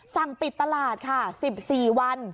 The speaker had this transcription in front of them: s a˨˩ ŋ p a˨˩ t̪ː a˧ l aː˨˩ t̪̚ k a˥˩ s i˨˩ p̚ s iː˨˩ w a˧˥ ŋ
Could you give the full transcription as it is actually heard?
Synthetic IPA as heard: s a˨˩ ŋ p i˨˩ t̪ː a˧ l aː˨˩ t̪̚ kʰ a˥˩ s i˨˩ p̚ s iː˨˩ w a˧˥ n